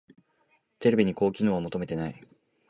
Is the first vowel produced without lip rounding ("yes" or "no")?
yes